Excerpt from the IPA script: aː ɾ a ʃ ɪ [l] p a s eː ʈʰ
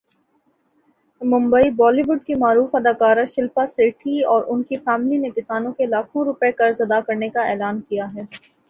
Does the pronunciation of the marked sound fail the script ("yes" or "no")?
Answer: no